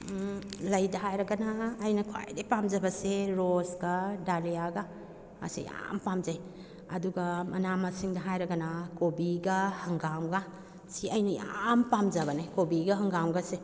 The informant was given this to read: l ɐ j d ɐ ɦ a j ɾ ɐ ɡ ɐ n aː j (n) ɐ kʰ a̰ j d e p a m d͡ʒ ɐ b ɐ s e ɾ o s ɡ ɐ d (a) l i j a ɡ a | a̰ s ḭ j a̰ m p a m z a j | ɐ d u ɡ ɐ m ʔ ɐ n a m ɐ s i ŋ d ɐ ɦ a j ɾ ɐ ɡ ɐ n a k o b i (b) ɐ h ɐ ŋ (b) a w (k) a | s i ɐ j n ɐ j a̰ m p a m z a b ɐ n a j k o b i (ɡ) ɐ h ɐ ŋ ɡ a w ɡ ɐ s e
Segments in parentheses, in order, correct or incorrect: correct, correct, incorrect, incorrect, incorrect, correct

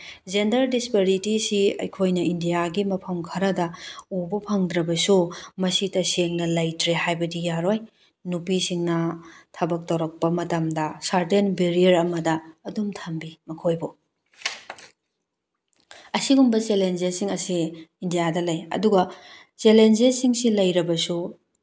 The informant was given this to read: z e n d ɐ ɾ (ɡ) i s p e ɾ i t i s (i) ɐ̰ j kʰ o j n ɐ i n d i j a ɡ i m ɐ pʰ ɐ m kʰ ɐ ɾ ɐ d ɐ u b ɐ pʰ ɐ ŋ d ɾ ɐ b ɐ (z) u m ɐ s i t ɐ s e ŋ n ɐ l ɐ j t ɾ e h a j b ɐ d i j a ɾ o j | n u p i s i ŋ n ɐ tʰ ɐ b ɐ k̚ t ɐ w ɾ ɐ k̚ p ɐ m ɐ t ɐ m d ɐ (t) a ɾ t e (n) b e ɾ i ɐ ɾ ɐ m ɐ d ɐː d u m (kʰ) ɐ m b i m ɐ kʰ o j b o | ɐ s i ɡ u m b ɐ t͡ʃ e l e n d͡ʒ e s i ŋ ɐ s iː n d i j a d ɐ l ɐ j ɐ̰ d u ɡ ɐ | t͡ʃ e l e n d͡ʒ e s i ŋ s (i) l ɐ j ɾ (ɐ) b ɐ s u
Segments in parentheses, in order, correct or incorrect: incorrect, correct, incorrect, incorrect, correct, incorrect, correct, correct

